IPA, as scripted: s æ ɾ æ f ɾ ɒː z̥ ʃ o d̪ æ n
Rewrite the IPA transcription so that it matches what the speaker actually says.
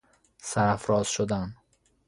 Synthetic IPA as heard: s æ ɾ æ f ɾ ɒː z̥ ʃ o d̪ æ n